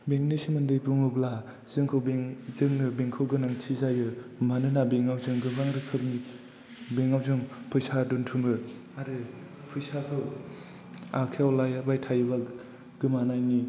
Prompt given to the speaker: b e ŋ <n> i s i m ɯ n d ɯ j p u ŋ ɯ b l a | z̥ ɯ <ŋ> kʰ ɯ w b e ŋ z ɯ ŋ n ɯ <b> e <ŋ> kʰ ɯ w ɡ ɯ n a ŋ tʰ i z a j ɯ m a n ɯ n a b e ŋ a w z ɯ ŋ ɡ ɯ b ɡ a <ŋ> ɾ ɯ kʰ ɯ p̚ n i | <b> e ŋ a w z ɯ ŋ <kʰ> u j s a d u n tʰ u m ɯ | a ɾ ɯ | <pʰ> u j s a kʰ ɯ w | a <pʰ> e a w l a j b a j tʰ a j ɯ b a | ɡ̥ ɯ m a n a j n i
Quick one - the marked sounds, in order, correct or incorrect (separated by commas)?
correct, correct, correct, correct, correct, correct, incorrect, correct, incorrect